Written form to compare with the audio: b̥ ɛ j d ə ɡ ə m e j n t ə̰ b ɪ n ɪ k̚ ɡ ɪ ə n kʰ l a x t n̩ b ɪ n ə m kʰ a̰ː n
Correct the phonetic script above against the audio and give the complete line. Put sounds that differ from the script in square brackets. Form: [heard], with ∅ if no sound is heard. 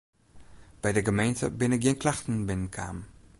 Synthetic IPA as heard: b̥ ɛ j d ə ɡ ə m e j n t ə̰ b ɪ n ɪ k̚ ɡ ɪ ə n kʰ l a x t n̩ b ɪ n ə [n] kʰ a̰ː [m]